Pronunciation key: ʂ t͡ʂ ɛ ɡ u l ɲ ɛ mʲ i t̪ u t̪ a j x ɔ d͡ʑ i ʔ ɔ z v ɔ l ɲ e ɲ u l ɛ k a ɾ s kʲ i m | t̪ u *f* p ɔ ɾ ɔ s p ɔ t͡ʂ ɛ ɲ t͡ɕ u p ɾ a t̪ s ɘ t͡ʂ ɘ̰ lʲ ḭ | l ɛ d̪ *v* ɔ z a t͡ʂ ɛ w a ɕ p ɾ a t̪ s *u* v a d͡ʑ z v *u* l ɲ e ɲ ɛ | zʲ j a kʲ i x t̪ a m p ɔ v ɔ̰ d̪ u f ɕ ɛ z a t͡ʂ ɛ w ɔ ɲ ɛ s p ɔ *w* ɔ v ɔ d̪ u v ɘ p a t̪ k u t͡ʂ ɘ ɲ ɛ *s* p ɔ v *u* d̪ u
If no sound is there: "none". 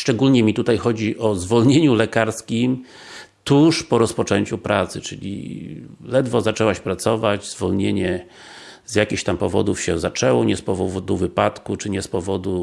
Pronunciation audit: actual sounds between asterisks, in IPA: ʂ, v, ɔ, ɔ, v, s, ɔ

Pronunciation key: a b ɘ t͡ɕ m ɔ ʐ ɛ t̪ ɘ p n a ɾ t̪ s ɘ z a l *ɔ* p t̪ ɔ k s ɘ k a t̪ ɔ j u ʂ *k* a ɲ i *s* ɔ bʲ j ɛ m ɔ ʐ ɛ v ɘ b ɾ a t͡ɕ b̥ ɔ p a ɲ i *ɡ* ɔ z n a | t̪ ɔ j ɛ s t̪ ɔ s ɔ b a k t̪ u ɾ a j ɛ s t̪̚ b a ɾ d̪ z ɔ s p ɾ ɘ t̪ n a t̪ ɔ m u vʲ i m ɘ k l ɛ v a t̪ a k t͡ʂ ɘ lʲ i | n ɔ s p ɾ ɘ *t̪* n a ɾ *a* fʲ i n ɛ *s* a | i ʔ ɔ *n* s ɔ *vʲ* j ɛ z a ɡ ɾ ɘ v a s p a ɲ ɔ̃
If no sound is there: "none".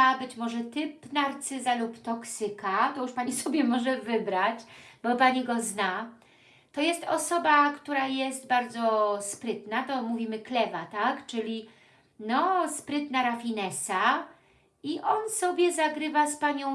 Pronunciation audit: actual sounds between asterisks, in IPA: u, p, s, ɡ, t̪, a, s, n, bʲ

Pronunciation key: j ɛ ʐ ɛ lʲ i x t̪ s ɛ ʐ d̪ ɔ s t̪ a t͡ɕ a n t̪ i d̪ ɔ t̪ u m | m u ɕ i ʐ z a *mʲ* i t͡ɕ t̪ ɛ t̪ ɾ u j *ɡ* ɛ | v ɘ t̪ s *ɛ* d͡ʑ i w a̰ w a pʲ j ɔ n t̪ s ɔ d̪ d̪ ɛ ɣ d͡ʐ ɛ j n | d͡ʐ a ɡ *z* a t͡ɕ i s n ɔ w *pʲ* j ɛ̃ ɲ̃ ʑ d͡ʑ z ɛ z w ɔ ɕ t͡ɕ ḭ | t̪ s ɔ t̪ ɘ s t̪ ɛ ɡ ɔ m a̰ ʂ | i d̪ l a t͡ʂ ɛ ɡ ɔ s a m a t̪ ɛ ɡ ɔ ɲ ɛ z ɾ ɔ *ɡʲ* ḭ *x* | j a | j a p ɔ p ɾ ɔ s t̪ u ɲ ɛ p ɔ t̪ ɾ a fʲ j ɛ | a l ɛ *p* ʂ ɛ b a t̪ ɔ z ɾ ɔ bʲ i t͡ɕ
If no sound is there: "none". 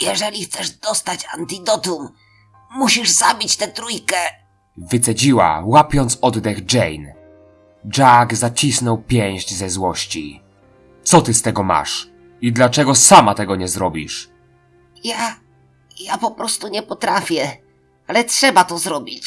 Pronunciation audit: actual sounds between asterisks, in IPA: bʲ, k, ɛ, z, pʲ, bʲ, ʂ, t

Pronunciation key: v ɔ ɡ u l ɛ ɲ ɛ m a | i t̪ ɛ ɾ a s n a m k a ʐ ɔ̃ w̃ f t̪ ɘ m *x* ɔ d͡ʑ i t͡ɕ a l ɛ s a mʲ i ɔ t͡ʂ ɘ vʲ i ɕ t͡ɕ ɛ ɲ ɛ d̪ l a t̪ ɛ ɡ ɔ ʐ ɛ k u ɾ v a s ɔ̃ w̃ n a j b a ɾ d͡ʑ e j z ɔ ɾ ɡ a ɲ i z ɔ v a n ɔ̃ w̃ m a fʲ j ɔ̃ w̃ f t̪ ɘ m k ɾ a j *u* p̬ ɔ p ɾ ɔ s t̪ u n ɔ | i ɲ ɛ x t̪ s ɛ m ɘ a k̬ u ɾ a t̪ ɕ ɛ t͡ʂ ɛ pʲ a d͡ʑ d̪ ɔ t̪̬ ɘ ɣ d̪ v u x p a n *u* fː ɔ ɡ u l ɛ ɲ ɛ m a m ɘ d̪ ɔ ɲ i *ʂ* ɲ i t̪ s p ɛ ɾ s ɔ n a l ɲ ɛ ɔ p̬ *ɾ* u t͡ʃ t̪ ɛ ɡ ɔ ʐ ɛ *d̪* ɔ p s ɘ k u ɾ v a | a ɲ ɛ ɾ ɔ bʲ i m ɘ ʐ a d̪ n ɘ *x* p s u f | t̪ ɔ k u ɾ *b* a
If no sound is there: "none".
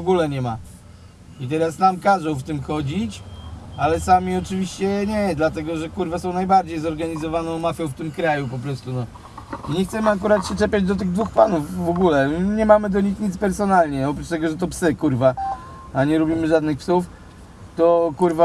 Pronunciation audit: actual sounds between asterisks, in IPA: x, u, u, x, ɾ, t̪, x, v

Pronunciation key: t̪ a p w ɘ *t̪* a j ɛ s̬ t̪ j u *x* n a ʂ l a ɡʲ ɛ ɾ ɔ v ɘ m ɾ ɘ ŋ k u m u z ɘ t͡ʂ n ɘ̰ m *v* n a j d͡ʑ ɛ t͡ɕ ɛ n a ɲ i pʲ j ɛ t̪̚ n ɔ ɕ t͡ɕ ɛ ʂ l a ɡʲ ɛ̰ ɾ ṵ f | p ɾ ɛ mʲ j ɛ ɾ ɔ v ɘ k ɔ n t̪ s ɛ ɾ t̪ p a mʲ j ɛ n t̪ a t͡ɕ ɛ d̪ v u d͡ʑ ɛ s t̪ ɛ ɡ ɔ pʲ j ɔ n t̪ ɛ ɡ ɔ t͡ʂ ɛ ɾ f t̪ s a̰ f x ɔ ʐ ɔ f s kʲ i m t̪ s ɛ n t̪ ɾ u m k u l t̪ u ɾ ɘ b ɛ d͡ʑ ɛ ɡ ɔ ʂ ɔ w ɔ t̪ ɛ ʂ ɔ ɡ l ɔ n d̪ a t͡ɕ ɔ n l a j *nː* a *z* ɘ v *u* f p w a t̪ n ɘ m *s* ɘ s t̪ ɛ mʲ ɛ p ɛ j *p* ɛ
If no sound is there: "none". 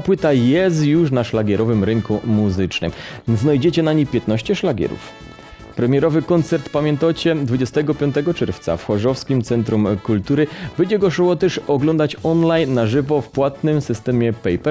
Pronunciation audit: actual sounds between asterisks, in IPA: t̪, ʂ, z, nː, ʐ, ɔ, s, p

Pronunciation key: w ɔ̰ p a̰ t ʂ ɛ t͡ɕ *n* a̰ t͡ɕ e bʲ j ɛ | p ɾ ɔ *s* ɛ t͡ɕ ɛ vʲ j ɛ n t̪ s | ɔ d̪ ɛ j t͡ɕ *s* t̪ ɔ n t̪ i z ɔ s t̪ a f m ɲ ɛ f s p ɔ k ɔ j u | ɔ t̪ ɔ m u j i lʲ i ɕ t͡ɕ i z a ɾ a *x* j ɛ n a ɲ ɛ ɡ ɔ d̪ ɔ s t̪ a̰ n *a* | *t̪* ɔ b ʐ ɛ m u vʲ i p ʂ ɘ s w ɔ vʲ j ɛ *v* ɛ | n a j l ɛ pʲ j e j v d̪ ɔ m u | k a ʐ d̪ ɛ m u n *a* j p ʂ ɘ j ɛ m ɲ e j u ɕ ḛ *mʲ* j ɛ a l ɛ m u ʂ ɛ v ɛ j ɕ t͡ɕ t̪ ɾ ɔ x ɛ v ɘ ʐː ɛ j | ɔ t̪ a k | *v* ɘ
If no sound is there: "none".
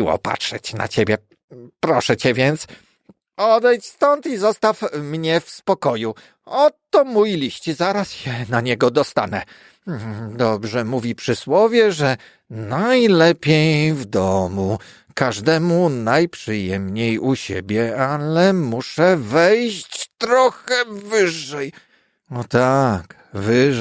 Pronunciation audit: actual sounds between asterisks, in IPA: n, ʂ, s, s, ɛ, d̪, ʐ, a, bʲ, v

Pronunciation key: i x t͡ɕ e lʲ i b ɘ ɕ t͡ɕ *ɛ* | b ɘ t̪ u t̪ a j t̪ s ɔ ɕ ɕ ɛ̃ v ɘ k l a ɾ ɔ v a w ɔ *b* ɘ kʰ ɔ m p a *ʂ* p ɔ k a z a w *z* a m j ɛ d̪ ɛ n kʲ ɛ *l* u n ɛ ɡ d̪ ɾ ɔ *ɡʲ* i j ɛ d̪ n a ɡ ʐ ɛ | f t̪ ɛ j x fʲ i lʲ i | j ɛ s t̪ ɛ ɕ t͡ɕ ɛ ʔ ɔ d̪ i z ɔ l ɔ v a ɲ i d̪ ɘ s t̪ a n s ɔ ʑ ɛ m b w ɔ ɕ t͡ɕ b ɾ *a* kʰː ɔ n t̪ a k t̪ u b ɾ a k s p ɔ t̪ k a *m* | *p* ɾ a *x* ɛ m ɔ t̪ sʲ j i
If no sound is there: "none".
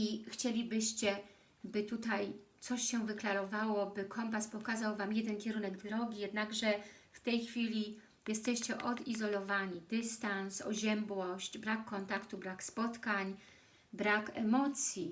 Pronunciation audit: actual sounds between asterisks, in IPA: ɛ, b, s, v, ɾ, ɡʲ, a, ɲ, b, k

